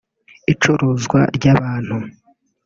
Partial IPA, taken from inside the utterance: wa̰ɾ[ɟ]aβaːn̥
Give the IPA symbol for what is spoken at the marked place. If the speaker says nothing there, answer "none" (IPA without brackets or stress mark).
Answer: ɟ